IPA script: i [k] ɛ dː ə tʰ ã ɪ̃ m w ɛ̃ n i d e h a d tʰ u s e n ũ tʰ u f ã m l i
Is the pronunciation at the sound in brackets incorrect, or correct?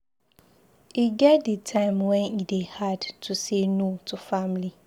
incorrect: ɡ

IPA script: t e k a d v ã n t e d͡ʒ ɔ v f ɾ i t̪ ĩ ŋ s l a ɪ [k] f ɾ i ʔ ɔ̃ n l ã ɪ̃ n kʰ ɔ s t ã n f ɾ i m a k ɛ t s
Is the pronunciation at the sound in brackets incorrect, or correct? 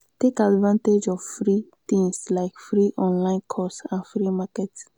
correct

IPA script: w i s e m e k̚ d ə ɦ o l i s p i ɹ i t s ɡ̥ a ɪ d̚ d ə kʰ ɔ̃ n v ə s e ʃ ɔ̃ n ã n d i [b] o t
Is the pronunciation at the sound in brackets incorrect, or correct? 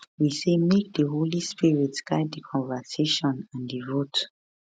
incorrect: v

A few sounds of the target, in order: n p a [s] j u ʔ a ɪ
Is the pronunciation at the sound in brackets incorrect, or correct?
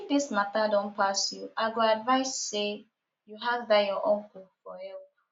correct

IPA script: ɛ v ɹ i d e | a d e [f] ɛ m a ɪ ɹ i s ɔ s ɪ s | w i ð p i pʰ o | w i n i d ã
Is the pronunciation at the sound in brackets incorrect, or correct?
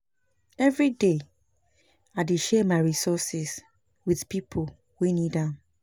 incorrect: ʃ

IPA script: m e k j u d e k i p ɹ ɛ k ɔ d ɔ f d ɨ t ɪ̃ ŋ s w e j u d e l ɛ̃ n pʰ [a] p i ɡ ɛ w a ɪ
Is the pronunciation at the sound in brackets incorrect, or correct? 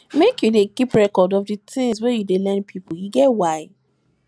incorrect: i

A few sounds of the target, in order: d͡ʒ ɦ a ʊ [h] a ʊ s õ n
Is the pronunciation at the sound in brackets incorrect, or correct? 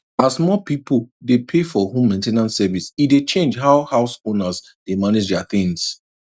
correct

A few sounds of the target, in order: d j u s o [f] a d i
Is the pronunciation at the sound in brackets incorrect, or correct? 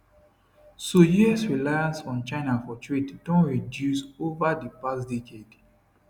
incorrect: v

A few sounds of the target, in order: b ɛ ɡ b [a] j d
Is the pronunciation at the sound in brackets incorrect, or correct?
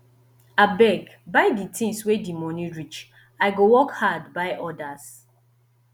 correct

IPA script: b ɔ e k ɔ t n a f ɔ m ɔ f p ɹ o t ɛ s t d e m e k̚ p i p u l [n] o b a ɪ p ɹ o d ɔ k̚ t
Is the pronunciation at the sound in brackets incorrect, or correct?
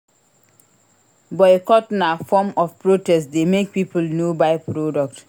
correct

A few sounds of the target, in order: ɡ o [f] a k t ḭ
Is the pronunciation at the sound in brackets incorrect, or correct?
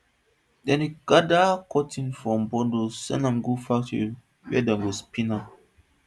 correct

